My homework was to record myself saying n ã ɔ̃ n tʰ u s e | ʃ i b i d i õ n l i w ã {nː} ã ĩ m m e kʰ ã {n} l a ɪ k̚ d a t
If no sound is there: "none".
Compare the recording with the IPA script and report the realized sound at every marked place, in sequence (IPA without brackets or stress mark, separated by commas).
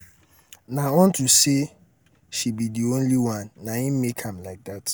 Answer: nː, m